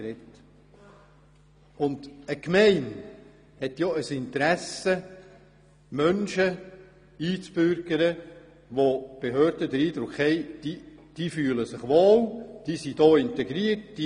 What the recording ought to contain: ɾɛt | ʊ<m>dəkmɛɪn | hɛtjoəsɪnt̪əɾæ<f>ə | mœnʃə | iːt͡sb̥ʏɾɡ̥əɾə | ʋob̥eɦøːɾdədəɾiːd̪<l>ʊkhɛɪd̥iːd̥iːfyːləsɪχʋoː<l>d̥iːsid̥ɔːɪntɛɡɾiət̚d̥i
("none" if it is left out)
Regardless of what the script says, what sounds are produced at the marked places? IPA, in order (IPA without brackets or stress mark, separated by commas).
n, s, ɾ, l